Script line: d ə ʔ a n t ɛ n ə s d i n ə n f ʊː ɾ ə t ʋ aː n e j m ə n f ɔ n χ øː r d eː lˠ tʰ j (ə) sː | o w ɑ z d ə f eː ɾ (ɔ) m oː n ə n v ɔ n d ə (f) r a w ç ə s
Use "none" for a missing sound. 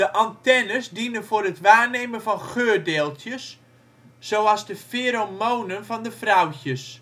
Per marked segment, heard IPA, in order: ə, o, f

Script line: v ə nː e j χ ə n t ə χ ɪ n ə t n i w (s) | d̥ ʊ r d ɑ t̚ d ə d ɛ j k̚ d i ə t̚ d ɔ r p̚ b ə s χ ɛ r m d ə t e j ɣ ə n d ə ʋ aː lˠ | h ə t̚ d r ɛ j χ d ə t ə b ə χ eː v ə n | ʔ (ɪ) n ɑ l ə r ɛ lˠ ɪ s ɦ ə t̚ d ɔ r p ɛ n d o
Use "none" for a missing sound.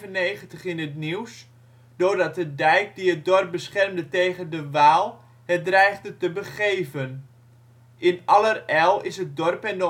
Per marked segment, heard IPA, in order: s, ɪ

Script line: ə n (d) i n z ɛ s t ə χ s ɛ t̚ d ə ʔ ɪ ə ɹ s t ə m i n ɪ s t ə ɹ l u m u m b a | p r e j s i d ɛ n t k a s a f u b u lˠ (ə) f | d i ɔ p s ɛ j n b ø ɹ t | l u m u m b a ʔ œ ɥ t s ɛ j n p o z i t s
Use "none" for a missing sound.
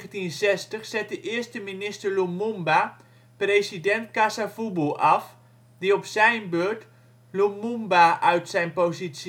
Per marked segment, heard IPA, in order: t, ɑ

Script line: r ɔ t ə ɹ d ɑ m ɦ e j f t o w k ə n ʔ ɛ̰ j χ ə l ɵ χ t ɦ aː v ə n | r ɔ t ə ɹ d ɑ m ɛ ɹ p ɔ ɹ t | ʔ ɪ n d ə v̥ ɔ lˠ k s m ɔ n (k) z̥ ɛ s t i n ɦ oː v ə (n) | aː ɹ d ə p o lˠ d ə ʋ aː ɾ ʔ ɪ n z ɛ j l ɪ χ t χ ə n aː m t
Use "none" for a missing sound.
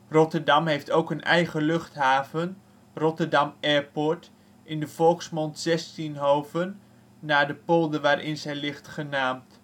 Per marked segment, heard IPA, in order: t, nː

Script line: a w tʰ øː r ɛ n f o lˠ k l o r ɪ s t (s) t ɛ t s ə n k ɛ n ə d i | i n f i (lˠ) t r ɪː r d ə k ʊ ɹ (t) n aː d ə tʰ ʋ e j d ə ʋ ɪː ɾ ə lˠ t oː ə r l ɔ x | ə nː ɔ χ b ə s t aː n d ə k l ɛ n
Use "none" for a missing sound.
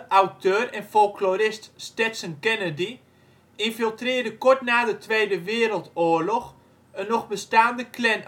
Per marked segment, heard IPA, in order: s, lˠ, t

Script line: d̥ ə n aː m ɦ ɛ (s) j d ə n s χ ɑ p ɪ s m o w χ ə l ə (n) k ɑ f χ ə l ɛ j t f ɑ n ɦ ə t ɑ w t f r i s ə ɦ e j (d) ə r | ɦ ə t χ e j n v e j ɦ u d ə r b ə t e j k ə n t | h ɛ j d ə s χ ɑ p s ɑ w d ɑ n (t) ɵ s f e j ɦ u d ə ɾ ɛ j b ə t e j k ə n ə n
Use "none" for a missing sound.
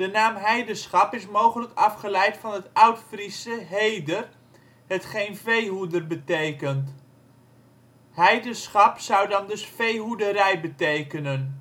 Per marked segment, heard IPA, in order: none, none, d, d

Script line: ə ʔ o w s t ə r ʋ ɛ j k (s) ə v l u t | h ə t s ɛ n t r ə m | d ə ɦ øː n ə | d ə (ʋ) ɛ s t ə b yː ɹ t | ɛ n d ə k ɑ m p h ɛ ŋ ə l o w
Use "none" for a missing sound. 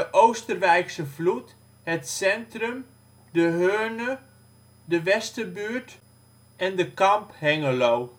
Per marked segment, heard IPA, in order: s, ʋ

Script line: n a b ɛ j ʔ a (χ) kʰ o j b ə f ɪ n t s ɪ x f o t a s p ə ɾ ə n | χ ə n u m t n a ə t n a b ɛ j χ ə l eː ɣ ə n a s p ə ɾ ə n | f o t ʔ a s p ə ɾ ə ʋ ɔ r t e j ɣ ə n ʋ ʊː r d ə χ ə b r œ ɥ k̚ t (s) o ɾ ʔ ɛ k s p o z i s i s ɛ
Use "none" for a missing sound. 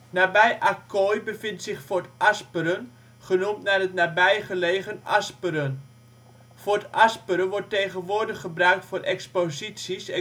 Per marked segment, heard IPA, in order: none, f

